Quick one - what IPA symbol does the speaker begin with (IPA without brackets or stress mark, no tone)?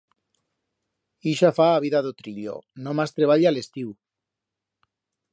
i